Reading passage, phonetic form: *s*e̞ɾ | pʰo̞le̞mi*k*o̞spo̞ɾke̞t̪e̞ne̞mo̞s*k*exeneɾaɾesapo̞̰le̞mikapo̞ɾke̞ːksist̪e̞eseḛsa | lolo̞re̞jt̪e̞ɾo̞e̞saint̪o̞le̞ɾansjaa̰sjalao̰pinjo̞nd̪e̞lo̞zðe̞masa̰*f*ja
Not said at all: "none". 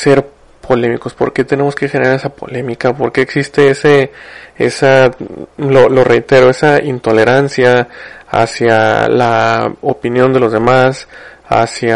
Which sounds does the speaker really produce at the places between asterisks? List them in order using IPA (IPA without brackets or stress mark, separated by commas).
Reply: s, k, k, s